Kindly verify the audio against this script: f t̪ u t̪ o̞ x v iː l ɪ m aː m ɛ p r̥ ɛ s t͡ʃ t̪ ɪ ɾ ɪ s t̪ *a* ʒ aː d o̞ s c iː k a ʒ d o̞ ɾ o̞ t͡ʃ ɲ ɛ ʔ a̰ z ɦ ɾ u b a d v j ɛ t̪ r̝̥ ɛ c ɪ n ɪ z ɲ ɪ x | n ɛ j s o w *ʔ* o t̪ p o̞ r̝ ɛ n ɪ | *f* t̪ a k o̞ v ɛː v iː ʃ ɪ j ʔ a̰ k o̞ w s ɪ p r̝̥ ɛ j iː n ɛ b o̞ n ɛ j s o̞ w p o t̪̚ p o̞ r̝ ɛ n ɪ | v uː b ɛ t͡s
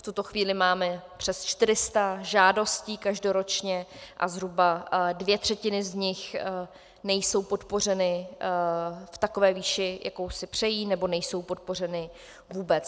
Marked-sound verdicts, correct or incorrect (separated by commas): correct, incorrect, correct